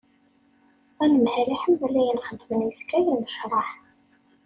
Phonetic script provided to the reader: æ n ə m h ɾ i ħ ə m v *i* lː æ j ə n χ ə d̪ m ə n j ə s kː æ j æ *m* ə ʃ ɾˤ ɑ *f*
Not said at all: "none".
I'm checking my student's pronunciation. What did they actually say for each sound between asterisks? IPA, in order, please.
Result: æ, n, ħ

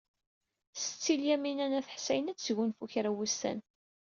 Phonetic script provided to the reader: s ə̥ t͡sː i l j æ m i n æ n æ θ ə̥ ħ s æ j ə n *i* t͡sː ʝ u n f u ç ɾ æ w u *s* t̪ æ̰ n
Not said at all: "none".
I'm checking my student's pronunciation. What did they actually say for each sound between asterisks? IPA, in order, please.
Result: æ, s

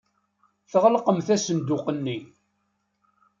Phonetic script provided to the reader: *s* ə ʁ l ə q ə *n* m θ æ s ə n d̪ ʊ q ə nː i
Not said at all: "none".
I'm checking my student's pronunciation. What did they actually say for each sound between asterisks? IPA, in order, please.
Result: θ, none

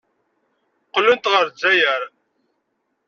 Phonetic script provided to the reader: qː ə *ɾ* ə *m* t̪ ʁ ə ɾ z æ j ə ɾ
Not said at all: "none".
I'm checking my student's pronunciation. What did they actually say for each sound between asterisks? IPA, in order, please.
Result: l, n

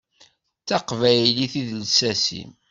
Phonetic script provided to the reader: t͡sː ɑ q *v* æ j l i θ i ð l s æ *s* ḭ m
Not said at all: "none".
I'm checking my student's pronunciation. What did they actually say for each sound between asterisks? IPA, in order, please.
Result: v, s

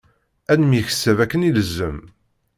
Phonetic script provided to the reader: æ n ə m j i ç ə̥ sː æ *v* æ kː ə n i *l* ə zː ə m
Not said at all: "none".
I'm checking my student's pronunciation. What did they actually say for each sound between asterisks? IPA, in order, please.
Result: v, l

